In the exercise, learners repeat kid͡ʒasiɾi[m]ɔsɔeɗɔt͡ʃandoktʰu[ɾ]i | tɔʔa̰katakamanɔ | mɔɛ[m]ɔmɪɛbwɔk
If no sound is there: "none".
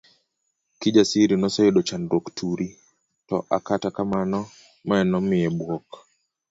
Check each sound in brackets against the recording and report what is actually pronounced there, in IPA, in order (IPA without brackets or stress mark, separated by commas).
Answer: n, ɾ, n